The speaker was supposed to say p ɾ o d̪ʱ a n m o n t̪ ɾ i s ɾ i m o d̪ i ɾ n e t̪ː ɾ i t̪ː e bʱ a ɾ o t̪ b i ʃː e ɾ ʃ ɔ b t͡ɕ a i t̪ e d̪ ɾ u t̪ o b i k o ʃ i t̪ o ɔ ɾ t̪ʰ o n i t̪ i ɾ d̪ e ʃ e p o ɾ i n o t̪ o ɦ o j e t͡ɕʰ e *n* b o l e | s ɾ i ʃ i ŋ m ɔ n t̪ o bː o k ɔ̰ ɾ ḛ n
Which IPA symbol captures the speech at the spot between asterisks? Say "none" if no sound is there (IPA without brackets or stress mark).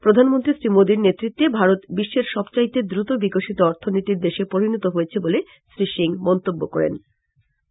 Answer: none